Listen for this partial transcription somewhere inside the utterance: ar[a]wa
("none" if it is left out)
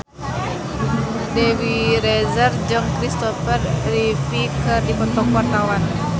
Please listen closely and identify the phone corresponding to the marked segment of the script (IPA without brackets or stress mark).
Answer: a